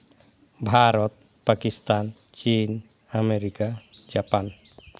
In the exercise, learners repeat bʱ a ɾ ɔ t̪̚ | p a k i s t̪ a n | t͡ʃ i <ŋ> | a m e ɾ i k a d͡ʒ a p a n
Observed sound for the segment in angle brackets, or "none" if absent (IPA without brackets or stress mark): n